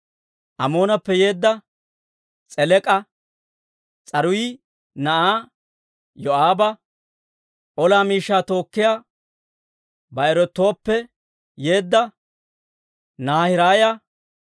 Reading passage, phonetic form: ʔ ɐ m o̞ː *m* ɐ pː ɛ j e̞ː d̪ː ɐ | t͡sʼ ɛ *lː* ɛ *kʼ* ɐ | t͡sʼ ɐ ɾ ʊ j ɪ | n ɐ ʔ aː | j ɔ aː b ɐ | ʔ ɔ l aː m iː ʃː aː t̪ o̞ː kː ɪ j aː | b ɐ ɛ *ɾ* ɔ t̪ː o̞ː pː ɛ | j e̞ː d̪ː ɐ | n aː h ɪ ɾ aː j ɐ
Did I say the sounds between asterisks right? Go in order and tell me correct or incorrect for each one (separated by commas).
incorrect, incorrect, correct, correct